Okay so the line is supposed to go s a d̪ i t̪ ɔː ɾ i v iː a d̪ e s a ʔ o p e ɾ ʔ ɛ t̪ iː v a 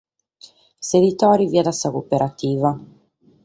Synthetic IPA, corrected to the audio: s e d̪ i t̪ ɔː ɾ i v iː a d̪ a s a k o p e ɾ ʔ a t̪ iː v a